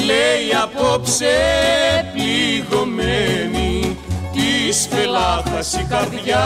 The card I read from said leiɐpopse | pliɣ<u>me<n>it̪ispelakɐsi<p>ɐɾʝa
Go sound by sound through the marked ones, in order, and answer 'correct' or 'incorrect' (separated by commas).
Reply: incorrect, correct, incorrect